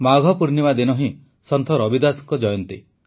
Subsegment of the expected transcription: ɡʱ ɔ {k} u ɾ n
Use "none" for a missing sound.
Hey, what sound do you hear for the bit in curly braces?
p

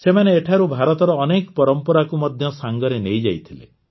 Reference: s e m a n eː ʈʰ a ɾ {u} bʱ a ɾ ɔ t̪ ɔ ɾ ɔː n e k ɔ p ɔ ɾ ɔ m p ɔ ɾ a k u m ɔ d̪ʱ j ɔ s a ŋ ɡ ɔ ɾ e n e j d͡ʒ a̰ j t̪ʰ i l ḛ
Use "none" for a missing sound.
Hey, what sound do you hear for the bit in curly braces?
u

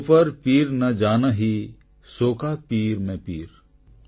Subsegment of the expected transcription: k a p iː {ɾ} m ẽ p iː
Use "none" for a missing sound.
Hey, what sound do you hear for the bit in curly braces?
ɾ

